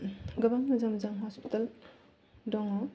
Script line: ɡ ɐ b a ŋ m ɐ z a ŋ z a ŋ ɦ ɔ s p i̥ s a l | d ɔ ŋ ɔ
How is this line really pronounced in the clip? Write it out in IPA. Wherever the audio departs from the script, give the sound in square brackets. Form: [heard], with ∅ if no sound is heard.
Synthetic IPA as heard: ɡ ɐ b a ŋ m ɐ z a [m] z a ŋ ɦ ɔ s p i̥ [t] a l | d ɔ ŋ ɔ